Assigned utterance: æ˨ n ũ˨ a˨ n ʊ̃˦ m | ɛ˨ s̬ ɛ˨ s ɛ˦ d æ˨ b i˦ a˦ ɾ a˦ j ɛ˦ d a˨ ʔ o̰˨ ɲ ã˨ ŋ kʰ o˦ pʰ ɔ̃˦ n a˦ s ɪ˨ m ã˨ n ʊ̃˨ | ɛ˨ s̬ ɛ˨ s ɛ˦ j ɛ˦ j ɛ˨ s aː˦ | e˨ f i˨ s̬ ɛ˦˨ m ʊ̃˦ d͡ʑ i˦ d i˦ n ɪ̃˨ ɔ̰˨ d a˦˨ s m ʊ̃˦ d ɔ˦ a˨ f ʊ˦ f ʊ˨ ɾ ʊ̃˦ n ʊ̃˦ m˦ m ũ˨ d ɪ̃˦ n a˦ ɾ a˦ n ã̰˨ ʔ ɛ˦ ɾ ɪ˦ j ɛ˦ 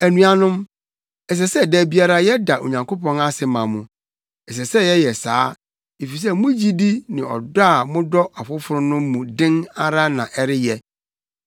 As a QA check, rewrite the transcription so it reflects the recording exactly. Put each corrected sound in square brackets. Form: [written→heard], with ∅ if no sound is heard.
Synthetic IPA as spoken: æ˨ n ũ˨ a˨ n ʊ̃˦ m | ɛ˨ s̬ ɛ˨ s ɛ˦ d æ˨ b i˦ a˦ ɾ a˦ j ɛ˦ d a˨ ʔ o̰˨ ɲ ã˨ ŋ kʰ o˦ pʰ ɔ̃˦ n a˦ s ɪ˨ m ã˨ [n→m] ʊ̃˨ | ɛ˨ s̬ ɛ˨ s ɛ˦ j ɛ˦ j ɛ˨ s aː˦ | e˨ f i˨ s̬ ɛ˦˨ m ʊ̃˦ d͡ʑ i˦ d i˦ n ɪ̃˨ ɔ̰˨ d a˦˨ [s→∅] m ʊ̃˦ d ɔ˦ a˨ f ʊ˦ f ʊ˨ ɾ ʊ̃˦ n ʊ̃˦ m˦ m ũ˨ d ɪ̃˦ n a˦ ɾ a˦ n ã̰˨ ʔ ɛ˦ ɾ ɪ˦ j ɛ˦